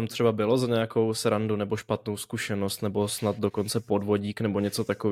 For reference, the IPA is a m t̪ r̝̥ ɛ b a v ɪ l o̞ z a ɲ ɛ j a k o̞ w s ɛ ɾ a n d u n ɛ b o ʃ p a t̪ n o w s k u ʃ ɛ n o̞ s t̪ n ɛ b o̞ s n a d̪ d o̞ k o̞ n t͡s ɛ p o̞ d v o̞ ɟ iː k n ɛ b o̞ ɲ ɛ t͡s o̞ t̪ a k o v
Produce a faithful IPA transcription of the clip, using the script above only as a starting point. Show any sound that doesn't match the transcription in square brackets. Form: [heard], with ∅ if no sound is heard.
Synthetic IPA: a m t̪ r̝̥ ɛ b a [b] ɪ l o̞ z a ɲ ɛ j a k o̞ w s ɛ ɾ a n d u n ɛ b o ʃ p a t̪ n o w s k u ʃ ɛ n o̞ s t̪ n ɛ b o̞ s n a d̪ d o̞ k o̞ n t͡s ɛ p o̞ d v o̞ ɟ iː k n ɛ b o̞ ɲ ɛ t͡s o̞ t̪ a k o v